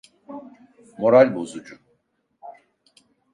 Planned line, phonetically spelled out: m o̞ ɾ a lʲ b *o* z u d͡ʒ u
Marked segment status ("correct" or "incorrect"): correct